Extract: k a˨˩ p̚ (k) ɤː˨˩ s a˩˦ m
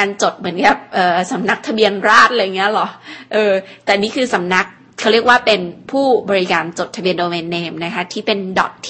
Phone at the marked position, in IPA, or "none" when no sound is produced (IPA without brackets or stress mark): ʔ